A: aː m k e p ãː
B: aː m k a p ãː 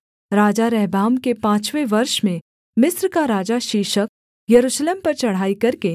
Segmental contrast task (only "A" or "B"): A